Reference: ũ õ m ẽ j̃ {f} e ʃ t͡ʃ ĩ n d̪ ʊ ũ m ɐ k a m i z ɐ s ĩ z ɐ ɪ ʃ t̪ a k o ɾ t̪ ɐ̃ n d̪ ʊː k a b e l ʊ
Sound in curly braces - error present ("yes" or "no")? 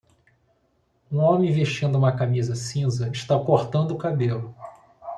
yes